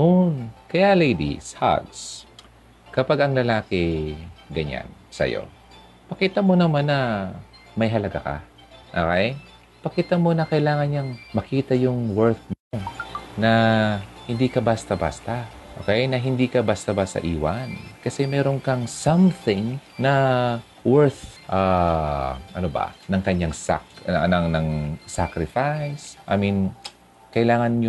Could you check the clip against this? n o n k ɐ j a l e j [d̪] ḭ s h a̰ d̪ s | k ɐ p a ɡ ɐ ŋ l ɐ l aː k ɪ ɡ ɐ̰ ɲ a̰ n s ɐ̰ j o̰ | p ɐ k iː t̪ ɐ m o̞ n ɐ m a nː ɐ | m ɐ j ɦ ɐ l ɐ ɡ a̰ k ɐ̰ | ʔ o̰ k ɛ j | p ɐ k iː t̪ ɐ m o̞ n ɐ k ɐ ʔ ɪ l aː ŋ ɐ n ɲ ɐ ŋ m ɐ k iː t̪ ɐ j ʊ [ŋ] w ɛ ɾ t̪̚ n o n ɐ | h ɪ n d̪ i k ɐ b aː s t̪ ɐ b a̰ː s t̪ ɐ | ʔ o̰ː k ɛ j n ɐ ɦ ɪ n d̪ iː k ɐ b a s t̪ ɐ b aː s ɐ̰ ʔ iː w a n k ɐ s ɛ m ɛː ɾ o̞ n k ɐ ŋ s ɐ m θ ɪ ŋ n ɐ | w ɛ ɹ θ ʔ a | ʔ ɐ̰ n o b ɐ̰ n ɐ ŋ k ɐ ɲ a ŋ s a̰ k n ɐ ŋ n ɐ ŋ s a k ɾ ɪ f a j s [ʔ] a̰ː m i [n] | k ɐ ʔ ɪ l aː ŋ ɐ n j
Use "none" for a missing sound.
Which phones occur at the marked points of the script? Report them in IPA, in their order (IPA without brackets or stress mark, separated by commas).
d̪, ŋ, ʔ, n